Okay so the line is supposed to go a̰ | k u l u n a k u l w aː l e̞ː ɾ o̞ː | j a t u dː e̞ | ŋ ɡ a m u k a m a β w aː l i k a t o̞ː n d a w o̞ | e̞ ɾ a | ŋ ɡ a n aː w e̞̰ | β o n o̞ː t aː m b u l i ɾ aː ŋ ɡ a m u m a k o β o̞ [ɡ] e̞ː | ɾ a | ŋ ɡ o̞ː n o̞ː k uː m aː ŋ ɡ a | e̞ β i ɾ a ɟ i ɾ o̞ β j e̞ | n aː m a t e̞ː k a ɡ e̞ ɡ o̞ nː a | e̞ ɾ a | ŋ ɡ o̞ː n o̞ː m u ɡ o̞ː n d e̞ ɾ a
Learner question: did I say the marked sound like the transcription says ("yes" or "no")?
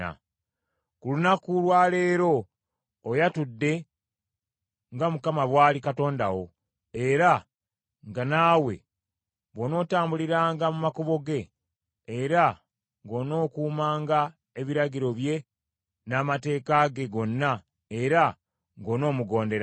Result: yes